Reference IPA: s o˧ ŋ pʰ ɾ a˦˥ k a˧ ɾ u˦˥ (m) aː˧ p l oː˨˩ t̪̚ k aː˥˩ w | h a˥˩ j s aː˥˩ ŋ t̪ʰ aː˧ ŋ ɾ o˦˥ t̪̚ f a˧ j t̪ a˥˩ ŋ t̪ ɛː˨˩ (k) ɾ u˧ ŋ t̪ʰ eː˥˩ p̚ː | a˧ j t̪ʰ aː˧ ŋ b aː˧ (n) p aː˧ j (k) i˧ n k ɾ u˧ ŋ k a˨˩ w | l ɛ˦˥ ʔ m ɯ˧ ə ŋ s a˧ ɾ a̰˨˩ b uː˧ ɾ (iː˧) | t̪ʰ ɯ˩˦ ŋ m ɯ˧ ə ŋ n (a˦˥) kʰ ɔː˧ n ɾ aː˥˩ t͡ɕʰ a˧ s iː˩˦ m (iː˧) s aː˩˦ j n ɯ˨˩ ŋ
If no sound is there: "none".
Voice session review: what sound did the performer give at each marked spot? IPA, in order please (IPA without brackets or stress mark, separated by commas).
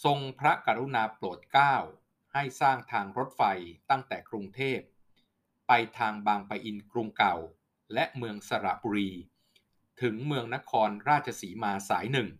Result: n, k, ŋ, ʔ, iː˧, a˦˥, aː˧